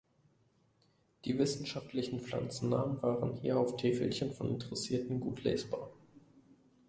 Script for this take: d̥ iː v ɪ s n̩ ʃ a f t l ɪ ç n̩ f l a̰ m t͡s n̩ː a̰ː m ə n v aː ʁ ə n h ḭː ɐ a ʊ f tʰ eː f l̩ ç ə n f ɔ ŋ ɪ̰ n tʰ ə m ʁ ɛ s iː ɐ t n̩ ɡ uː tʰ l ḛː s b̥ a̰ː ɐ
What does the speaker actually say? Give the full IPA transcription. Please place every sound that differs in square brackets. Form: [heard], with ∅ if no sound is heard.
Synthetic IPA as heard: d̥ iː v ɪ s n̩ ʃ a f t l ɪ ç n̩ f l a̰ [n] t͡s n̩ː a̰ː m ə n v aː ʁ ə n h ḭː ɐ a ʊ f tʰ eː f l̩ ç ə n f ɔ [n] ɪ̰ n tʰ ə [∅] ʁ ɛ s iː ɐ t n̩ ɡ uː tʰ l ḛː s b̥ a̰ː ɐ